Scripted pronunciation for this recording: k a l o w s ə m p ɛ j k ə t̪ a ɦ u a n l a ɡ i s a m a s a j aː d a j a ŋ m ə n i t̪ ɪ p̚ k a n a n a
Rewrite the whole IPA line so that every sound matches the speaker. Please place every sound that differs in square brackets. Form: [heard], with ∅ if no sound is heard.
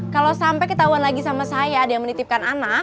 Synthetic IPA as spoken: k a l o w s [a] m p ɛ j k ə t̪ a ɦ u a n l a ɡ i s a m a s a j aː d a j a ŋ m ə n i t̪ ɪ p̚ k a n a n a